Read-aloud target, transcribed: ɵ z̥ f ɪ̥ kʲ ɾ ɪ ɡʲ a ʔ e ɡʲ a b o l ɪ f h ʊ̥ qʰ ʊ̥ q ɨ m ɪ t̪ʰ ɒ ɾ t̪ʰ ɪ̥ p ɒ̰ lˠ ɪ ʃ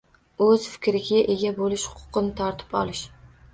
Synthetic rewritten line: ɵ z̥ f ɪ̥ kʲ ɾ ɪ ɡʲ a ʔ e ɡʲ a b o l ɪ ʃ h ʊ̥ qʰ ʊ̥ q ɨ n ɪ t̪ʰ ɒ ɾ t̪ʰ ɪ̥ p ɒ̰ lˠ ɪ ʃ